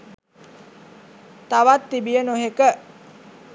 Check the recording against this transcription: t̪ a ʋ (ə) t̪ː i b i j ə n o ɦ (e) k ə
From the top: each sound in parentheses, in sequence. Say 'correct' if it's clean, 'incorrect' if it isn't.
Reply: incorrect, correct

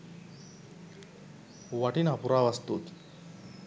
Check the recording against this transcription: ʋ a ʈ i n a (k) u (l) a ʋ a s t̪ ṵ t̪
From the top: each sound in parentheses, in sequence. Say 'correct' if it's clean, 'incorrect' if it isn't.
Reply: incorrect, incorrect

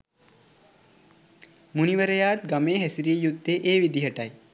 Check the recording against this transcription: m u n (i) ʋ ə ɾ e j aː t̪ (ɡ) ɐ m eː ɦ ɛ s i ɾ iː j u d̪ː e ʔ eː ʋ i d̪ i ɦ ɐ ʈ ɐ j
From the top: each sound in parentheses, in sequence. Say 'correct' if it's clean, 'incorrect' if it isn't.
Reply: correct, correct

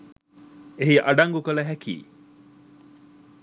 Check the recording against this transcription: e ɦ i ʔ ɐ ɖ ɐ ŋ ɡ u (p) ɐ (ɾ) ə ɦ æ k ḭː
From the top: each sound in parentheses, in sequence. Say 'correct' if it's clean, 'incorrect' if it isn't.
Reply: incorrect, incorrect

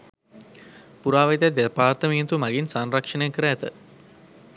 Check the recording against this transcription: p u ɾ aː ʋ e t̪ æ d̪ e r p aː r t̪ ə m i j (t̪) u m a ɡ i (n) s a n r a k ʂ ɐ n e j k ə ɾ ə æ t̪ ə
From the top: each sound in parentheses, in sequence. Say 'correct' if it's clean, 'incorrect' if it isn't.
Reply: correct, correct

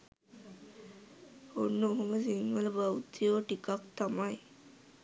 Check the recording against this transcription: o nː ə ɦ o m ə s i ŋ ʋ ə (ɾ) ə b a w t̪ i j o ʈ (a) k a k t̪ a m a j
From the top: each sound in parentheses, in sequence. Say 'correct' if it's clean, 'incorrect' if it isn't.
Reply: incorrect, incorrect

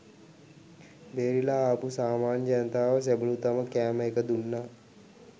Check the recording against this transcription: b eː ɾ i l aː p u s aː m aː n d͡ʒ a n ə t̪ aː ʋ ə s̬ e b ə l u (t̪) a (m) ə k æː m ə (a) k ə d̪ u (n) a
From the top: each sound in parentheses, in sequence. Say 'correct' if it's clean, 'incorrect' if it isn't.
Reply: correct, correct, incorrect, incorrect

